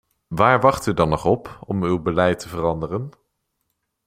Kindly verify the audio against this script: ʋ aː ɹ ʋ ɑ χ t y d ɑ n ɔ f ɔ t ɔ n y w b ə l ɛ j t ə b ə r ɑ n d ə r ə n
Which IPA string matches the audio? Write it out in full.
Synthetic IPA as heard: ʋ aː ɹ ʋ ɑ χ t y d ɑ n ɔ χ ɔ p ɔ m y w b ə l ɛ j t ə v ə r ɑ n d ə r ə n